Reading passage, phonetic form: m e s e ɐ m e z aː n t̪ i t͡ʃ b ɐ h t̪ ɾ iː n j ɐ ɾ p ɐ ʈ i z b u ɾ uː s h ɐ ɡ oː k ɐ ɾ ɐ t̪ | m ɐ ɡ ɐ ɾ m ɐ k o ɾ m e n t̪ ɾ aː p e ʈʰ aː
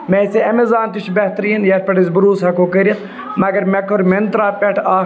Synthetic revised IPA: m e s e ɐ m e z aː n t̪ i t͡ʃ b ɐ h t̪ ɾ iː n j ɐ ɾ p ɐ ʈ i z b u ɾ uː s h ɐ k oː k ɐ ɾ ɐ t̪ | m ɐ ɡ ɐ ɾ m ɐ k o ɾ m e n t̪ ɾ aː p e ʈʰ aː